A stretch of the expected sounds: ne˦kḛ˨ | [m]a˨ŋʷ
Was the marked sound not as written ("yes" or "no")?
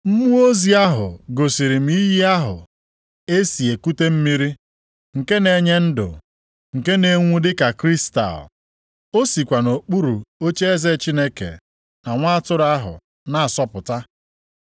yes